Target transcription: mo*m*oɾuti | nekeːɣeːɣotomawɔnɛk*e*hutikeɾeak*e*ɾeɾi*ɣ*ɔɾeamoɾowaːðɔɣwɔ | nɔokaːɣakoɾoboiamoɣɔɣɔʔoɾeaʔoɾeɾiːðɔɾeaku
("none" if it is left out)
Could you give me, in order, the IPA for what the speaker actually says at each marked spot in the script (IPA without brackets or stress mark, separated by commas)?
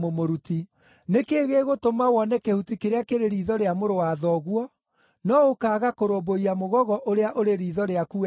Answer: m, e, e, ð